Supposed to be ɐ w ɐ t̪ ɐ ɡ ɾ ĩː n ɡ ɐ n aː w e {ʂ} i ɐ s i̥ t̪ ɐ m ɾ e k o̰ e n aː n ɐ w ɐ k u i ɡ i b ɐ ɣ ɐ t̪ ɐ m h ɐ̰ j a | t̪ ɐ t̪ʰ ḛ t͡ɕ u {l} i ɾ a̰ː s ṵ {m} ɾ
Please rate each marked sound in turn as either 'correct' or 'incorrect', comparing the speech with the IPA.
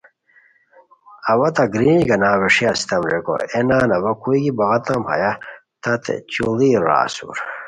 correct, correct, incorrect: none

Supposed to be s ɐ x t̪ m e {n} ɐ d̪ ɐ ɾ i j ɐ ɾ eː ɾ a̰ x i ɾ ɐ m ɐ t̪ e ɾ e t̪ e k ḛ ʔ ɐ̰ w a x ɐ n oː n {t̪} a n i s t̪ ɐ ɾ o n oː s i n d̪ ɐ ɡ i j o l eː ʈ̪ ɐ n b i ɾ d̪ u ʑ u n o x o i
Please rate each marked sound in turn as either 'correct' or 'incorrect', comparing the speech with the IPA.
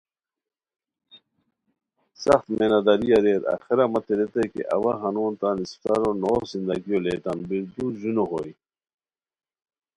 correct, correct

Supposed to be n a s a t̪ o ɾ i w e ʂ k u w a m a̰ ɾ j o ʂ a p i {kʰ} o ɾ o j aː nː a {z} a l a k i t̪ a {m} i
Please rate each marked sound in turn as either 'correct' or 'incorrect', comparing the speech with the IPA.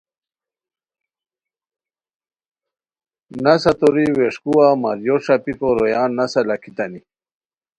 incorrect: k, incorrect: s, incorrect: n

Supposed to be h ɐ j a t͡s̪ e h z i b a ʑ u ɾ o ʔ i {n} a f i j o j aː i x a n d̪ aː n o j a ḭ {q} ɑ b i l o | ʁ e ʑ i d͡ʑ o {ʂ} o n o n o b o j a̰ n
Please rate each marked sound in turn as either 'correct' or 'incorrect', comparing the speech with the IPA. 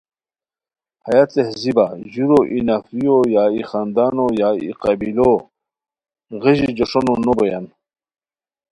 correct, correct, correct

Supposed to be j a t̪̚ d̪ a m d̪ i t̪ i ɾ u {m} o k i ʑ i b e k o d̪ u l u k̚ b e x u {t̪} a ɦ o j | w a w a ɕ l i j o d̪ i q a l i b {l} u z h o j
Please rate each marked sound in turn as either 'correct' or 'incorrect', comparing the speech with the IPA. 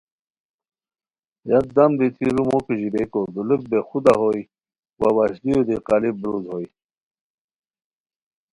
correct, incorrect: d̪, incorrect: ɾ

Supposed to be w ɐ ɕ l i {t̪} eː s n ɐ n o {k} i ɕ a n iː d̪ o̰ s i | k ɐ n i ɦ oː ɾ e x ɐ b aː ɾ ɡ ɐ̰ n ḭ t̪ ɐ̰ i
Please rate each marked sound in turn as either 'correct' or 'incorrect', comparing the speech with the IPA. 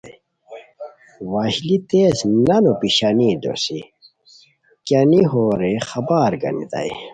correct, incorrect: p

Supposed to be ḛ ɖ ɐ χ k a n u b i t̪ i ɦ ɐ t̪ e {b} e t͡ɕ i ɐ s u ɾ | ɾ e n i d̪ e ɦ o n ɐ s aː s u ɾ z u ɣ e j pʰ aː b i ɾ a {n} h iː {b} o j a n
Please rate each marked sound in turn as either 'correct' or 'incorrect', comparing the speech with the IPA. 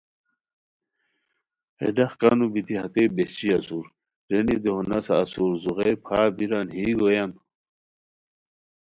correct, correct, incorrect: ɡ

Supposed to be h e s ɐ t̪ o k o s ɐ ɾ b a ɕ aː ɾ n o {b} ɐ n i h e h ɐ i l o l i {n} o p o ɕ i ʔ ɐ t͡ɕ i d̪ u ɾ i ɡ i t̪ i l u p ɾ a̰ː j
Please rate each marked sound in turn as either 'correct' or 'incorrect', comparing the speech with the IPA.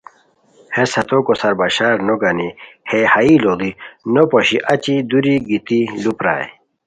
incorrect: ɡ, correct

